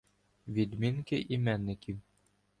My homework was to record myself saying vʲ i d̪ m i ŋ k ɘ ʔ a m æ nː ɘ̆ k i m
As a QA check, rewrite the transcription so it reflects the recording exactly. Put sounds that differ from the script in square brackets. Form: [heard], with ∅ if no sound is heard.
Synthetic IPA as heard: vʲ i d̪ m i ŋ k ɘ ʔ [i] m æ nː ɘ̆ k i m

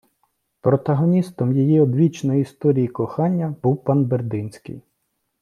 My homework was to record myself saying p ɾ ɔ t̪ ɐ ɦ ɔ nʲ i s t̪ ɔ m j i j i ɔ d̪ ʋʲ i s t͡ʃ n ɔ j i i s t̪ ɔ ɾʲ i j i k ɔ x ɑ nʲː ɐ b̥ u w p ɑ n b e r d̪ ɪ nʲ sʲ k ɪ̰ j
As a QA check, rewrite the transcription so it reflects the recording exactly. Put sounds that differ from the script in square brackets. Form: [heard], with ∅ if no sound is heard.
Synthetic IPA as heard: p ɾ ɔ t̪ ɐ ɦ ɔ nʲ i s t̪ ɔ m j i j i ɔ d̪ ʋʲ i [∅] t͡ʃ n ɔ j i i s t̪ ɔ ɾʲ i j i k ɔ x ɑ nʲː ɐ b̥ u w p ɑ n b e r d̪ ɪ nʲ sʲ k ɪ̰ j

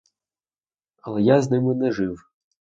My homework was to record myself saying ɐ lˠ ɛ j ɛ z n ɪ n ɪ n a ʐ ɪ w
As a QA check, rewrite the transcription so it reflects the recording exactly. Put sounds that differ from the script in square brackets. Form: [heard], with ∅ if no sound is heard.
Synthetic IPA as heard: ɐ lˠ ɛ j [a] z n ɪ [m] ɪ n [ɛ] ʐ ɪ w

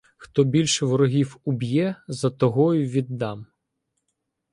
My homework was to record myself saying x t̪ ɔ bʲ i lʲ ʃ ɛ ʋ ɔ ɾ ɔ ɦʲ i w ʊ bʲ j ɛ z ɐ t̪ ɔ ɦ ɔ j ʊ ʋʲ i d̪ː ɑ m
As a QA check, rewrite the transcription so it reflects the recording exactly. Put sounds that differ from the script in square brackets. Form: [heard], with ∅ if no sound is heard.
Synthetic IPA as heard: x t̪ ɔ bʲ i lʲ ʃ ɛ ʋ ɔ ɾ ɔ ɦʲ i w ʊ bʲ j ɛ z ɐ t̪ ɔ ɦ ɔ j ʊ ʋʲ i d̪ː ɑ m

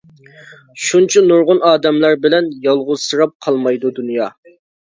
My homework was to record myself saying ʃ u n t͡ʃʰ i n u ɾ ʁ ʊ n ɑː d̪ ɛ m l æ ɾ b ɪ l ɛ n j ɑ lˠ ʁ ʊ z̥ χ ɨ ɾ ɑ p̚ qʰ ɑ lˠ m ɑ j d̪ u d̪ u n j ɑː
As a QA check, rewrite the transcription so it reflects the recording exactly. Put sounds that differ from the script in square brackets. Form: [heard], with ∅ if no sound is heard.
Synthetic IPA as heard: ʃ u n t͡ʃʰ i n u ɾ ʁ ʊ n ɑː d̪ ɛ m l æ ɾ b ɪ l ɛ n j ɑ lˠ ʁ ʊ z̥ [s] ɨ ɾ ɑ p̚ qʰ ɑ lˠ m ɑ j d̪ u d̪ u n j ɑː

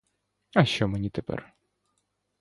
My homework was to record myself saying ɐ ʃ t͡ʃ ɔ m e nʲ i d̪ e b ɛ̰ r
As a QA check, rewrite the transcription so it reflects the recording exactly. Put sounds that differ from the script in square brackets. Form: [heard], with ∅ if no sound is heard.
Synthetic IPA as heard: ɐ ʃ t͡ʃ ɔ m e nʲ i [t̪] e [p] ɛ̰ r

